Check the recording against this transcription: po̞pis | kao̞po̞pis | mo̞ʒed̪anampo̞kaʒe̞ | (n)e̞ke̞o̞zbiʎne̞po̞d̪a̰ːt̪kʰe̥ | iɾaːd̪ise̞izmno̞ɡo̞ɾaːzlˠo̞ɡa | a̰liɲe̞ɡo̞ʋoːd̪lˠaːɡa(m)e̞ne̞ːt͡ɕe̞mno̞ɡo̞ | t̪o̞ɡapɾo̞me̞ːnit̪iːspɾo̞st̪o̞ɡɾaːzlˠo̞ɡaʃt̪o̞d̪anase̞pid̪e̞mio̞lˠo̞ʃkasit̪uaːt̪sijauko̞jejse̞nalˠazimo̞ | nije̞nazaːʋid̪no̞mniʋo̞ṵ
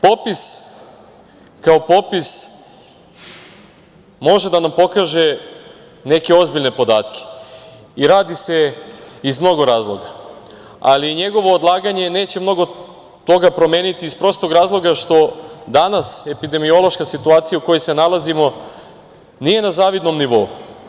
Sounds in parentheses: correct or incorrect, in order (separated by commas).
correct, incorrect